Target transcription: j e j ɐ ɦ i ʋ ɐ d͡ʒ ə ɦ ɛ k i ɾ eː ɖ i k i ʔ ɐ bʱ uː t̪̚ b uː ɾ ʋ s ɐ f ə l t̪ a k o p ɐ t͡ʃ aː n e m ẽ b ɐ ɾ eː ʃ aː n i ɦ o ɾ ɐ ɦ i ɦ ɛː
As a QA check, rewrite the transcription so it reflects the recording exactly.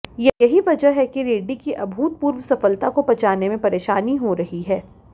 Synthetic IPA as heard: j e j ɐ ɦ i ʋ ɐ d͡ʒ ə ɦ ɛ k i ɾ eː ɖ i k i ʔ ɐ bʱ uː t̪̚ p uː ɾ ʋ s ɐ f ə l t̪ a k o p ɐ t͡ʃ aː n e m ẽ p ɐ ɾ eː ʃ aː n i ɦ o ɾ ɐ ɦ i ɦ ɛː